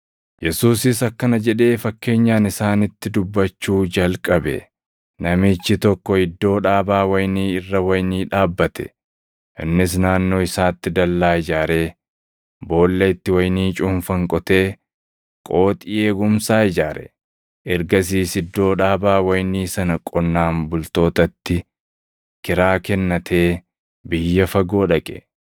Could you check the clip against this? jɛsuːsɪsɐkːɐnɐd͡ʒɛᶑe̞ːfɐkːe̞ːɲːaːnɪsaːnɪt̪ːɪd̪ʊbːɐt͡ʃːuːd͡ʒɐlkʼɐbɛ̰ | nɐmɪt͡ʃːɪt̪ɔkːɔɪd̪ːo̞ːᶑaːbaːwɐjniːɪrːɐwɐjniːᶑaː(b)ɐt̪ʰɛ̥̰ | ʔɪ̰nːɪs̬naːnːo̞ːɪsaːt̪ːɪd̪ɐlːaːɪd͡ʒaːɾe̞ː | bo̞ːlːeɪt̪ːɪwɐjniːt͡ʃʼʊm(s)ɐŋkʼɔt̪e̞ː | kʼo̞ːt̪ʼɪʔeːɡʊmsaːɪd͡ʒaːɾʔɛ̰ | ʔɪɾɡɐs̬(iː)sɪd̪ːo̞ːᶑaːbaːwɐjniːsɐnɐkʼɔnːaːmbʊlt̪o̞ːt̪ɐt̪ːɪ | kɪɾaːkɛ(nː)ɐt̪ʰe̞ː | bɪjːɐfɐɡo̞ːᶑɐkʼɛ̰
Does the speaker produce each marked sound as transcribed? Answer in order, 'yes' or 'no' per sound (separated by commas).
no, no, yes, yes